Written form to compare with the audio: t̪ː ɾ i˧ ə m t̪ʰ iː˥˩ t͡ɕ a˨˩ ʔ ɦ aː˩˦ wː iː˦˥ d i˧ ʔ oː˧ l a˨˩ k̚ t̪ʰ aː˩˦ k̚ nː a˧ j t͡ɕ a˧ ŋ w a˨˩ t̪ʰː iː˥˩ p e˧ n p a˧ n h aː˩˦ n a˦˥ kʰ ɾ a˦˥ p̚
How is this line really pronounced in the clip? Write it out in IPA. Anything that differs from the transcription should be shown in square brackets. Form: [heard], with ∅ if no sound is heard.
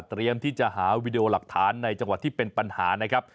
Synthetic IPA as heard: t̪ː ɾ i˧ ə m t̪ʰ iː˥˩ t͡ɕ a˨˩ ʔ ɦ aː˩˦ [w] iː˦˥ d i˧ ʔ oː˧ l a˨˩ k̚ t̪ʰ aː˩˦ [∅] nː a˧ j t͡ɕ a˧ ŋ w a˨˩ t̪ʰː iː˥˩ p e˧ n p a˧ n h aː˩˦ n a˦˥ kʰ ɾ a˦˥ p̚